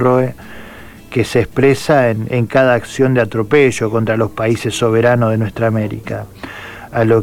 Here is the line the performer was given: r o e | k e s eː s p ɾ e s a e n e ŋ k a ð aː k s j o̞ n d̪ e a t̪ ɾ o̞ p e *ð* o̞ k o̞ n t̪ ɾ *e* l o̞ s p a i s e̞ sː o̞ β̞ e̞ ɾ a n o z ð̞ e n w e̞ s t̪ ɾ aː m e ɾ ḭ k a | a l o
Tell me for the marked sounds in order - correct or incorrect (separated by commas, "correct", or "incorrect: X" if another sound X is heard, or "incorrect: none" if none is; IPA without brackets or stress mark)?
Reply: incorrect: ʒ, incorrect: a